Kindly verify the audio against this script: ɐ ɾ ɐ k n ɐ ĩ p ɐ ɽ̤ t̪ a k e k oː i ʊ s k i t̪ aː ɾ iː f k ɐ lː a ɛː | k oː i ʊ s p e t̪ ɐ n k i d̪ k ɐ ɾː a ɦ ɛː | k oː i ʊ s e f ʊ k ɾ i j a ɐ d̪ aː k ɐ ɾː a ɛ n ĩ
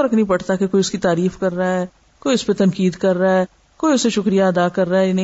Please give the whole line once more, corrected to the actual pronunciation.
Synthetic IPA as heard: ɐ ɾ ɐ k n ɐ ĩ p ɐ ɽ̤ t̪ a k e k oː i ʊ s k i t̪ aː ɾ iː f k ɐ ɾː a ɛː | k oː i ʊ s p e t̪ ɐ n k iː d̪ k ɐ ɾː a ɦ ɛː | k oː i ʊ s e ʃ ʊ k ɾ i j a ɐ d̪ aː k ɐ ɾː a ɛ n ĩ